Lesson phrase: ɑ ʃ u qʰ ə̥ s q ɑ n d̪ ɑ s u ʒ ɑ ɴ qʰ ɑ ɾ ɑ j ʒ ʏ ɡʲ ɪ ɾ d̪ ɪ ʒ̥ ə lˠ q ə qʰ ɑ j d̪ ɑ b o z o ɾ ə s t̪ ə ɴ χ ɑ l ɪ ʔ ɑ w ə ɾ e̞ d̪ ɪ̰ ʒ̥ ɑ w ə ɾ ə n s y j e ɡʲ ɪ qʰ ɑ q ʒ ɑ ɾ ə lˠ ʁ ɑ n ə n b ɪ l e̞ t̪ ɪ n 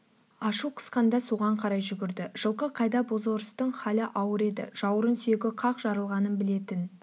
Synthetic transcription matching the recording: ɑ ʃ u qʰ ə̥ s q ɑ n d̪ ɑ s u ʁ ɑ ɴ qʰ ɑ ɾ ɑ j ʒ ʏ ɡʲ ɪ ɾ d̪ ɪ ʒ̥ ə lˠ q ə qʰ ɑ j d̪ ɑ b o z o ɾ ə s t̪ ə ɴ χ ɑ l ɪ ʔ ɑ w ə ɾ e̞ d̪ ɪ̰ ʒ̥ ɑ w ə ɾ ə n s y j e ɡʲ ɪ qʰ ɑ q ʒ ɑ ɾ ə lˠ ʁ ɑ n ə n b ɪ l e̞ t̪ ɪ n